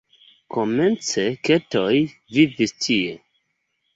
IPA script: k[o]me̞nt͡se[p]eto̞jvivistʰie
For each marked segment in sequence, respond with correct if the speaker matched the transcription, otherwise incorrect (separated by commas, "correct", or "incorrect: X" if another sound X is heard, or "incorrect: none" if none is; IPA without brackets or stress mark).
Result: correct, incorrect: k